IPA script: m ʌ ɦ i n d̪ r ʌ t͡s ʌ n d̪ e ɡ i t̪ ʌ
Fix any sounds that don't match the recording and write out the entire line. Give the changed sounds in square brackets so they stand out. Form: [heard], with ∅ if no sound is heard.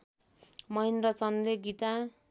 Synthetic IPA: m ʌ ɦ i n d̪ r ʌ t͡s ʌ n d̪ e ɡ i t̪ [a]